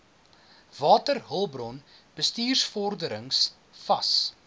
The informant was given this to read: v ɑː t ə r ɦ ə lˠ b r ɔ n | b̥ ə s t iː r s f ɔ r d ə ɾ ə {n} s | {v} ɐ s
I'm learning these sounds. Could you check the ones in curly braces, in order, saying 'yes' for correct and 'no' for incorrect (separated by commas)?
no, no